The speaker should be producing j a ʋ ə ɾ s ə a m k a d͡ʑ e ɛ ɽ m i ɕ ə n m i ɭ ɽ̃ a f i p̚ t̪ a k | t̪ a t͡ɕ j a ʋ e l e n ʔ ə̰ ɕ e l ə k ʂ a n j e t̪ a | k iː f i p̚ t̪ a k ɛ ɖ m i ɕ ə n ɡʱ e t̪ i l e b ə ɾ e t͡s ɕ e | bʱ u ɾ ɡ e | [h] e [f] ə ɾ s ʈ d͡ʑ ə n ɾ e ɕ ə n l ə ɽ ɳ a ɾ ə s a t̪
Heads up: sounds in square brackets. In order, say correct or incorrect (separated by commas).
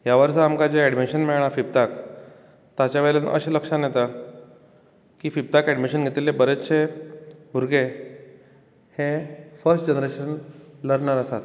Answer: correct, correct